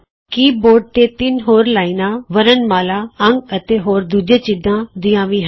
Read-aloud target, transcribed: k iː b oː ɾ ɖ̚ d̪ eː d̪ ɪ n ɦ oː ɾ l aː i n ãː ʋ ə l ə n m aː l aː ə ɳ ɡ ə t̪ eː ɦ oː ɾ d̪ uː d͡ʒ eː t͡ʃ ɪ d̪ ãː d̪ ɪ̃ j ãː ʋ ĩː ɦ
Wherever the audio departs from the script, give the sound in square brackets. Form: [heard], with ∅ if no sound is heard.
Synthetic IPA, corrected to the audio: k iː b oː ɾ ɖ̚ [t̪] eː [t̪] ɪ n ɦ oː ɾ l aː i n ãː ʋ ə [ɾ] ə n m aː l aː ə [ŋ] ɡ ə t̪ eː ɦ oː ɾ d̪ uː d͡ʒ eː t͡ʃ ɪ d̪ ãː d̪ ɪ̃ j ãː ʋ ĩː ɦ